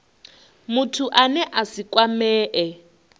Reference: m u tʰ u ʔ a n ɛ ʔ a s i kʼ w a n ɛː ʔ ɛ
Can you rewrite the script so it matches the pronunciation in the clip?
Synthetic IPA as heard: m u tʰ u ʔ a n ɛ ʔ a s i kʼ w a m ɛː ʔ ɛ

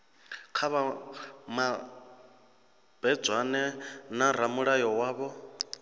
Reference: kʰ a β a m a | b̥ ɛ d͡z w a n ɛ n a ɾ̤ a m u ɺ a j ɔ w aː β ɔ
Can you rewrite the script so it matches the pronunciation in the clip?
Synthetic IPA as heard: kʰ a β a m a | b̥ ɛ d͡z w a n ɛ n a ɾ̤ a m u ɺ a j ɔ w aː β ɔ

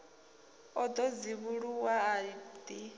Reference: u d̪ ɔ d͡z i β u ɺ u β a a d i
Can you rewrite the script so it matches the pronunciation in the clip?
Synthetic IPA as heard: ɔ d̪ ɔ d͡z i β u ɺ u w a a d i

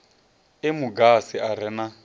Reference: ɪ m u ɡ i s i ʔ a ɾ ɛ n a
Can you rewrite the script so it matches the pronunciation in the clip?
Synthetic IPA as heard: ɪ m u ɡ a s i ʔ a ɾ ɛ n a

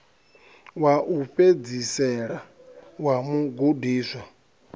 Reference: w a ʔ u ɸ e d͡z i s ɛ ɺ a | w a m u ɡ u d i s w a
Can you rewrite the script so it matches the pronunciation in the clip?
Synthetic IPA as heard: w a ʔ u ɸ e d͡z i s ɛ ɺ a | w a m u ɡ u d iː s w a

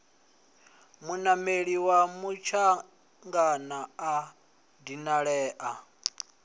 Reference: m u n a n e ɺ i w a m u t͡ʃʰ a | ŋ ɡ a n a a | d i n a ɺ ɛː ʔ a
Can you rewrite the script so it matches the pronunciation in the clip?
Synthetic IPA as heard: m u n a m e ɺ i w a m u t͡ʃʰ a | ŋ ɡ a n a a | d i n a ɺ ɛː ʔ a

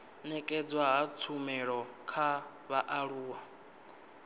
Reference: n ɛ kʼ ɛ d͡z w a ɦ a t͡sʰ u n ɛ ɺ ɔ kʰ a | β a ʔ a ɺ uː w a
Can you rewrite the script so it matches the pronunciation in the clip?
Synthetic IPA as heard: n ɛ kʼ ɛ d͡z w a ɦ a t͡sʰ u m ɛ ɺ ɔ kʰ a | β a ʔ a ɺ uː w a

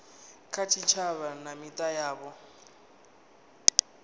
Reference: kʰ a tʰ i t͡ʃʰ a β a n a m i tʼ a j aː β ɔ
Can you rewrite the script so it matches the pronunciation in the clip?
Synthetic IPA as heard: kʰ a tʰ i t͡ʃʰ a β a n a m i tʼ a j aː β ɔ

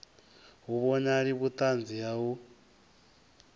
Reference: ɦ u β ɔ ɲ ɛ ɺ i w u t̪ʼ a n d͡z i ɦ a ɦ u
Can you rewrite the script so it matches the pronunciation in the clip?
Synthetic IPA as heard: ɦ u β ɔ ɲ a ɺ i β u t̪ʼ a n d͡z i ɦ a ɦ u

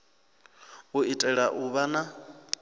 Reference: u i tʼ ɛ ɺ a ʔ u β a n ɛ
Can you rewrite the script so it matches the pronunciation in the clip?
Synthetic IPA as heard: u i tʼ ɛ ɺ a ʔ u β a n a

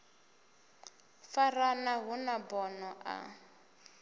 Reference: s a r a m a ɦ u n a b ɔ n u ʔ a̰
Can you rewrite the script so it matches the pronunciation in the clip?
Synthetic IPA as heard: f a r a n a ɦ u n a b ɔ n ɔ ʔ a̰

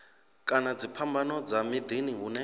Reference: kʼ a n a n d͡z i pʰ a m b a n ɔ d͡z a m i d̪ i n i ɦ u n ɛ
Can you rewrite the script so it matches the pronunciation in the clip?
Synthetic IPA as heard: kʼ a n a d͡z i pʰ a m b a n ɔ d͡z a m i d̪ i n i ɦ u n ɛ

